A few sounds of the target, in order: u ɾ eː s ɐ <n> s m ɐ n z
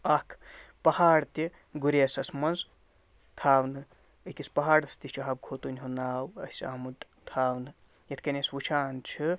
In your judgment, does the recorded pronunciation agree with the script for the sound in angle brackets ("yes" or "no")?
no